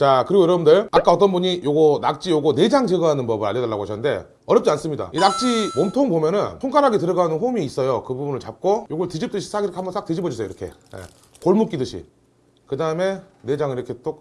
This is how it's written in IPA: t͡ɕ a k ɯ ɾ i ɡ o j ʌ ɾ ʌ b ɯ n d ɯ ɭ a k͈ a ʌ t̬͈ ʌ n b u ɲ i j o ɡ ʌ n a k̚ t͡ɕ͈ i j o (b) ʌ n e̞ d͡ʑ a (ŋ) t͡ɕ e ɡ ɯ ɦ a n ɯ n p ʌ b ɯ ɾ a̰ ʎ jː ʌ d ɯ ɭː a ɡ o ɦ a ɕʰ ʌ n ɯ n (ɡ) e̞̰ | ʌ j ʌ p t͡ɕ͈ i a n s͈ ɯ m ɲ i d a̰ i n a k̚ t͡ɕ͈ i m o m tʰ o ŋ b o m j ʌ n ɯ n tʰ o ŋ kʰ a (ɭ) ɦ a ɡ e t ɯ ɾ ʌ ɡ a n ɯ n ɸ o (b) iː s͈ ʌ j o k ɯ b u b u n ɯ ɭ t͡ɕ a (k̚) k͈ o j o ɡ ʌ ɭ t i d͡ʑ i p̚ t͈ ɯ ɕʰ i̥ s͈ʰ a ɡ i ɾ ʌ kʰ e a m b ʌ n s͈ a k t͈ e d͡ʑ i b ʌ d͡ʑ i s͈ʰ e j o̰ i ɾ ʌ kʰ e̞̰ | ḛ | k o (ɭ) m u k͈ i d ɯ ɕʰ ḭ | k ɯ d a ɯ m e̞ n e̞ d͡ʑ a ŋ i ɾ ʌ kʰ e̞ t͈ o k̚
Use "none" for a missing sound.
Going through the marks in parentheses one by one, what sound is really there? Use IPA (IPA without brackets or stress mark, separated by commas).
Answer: ɡ, ŋ, d, ɾ, m, p̚, ɭ